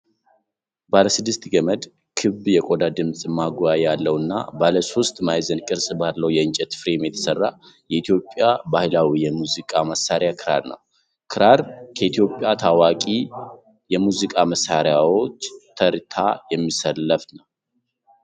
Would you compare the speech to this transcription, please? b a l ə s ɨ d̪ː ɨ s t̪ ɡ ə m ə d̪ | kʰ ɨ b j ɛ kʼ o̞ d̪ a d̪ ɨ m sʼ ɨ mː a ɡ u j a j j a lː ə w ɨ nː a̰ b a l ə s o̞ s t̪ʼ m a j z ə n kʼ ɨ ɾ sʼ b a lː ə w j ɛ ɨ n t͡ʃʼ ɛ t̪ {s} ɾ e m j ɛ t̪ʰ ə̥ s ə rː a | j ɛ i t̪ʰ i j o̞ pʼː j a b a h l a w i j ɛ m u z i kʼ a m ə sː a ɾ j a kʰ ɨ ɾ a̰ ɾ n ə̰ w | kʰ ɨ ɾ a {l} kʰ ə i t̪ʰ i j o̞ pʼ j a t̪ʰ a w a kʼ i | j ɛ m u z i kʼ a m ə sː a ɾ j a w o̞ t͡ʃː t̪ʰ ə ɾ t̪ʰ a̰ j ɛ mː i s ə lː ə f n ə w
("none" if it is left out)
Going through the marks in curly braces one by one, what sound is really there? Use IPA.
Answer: f, ɾ

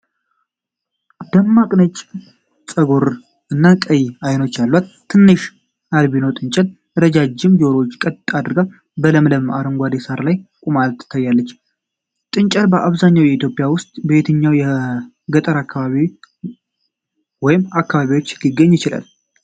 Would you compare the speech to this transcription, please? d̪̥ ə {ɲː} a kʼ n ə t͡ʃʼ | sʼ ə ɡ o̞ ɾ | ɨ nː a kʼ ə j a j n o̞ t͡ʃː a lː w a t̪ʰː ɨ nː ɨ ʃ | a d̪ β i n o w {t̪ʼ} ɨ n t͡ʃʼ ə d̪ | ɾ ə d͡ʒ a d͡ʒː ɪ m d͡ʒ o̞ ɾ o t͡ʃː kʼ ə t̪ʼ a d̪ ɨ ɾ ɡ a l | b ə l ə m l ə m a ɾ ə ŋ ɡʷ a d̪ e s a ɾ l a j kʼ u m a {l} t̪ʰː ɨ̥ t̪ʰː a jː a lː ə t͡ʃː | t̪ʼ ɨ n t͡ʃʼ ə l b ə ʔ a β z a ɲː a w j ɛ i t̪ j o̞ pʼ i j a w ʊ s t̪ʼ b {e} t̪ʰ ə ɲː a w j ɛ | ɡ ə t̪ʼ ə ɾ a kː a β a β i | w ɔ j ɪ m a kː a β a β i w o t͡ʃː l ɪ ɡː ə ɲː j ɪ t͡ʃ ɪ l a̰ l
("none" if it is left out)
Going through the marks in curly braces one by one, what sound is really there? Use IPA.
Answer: mː, t̪ʼ, l, e

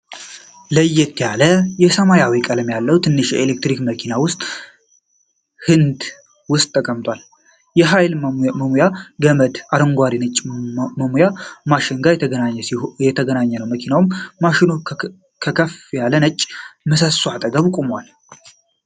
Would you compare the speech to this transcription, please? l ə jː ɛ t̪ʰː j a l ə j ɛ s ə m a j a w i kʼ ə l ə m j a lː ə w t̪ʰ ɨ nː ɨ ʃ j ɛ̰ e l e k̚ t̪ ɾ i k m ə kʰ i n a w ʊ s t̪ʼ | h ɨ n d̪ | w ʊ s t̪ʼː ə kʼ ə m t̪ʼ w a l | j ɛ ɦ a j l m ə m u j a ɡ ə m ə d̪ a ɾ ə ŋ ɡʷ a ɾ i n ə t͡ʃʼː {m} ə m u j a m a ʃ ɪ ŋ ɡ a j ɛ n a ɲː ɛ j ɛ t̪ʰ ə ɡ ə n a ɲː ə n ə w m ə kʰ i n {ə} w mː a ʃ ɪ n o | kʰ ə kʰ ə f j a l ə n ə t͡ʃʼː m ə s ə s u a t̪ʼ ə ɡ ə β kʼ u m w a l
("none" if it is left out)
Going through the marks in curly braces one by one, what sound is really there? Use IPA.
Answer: m, a

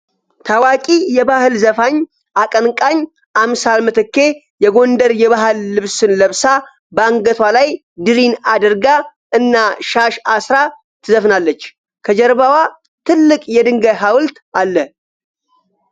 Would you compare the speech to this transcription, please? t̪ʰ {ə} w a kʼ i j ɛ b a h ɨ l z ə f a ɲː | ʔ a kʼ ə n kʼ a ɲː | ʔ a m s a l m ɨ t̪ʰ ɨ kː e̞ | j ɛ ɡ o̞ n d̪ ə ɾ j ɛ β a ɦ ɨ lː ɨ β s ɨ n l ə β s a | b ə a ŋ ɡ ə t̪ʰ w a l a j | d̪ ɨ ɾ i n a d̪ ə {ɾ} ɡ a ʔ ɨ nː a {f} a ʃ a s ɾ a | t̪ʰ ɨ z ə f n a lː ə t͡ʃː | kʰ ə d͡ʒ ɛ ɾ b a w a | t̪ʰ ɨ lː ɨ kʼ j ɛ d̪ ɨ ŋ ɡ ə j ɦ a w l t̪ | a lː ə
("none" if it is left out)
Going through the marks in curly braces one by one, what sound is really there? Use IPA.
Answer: a, ɾ, ʃ

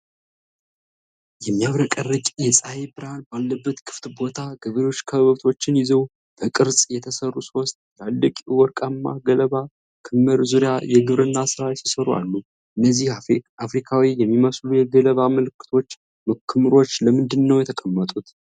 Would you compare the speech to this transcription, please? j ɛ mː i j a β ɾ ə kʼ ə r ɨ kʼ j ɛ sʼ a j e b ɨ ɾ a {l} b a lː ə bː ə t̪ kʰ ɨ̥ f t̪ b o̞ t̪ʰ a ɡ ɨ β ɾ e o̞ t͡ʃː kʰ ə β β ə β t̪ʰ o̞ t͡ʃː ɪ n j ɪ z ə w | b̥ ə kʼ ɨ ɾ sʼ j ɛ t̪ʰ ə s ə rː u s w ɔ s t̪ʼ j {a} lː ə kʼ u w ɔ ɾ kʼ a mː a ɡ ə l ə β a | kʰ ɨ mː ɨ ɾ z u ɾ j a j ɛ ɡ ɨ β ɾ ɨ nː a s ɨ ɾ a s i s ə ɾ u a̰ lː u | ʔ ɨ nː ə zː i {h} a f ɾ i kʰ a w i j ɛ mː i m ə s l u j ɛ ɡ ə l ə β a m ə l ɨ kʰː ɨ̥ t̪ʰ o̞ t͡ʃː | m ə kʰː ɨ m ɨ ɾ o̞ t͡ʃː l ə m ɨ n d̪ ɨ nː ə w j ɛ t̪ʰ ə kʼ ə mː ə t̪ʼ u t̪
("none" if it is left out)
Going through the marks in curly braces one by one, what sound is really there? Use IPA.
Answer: l, a, h

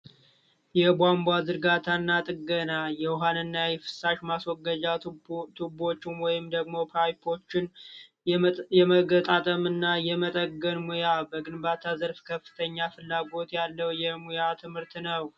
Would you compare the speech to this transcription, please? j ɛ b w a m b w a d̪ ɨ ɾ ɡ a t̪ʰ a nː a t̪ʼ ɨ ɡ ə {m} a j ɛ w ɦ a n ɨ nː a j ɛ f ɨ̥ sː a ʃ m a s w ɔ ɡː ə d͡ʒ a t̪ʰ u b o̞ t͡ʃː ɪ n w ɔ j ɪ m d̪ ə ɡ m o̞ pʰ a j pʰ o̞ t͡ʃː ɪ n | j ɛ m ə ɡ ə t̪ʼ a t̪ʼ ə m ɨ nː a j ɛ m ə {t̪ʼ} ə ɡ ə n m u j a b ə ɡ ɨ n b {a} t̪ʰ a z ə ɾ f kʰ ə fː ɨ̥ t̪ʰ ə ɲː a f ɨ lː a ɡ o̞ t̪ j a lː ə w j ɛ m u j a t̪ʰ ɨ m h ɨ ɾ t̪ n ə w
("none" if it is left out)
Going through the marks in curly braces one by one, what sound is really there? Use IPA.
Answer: n, t̪ʼ, a

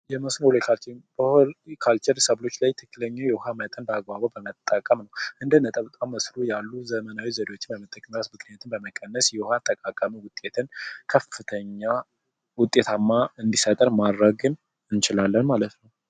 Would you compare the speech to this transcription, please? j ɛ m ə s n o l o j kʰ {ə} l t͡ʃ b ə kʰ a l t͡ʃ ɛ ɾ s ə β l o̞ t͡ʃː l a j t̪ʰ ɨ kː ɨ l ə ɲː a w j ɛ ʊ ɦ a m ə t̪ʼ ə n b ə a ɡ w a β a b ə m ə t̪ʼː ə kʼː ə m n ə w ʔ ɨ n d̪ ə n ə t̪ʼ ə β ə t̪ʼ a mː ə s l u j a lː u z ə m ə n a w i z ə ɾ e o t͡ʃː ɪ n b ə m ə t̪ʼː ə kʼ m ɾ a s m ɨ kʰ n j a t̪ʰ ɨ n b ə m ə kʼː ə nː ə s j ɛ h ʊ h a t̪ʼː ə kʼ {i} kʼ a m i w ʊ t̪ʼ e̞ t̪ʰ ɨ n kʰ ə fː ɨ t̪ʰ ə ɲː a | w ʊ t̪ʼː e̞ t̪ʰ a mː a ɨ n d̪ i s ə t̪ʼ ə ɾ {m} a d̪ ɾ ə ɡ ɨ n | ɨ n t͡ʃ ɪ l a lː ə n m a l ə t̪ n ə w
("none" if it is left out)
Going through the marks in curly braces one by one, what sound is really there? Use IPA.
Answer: a, a, m

